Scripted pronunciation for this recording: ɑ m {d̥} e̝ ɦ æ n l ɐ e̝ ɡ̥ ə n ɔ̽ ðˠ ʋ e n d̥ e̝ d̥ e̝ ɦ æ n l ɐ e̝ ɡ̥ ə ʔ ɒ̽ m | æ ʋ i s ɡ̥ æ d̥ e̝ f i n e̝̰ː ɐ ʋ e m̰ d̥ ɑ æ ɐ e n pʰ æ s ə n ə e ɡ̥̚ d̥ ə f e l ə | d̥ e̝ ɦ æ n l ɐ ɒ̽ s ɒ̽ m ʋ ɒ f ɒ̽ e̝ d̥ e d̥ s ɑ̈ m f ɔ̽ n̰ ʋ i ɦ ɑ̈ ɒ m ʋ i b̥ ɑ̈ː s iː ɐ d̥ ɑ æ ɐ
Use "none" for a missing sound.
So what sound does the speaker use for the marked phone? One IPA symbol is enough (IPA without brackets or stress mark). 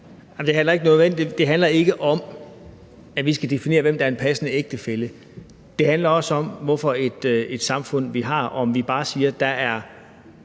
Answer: d̥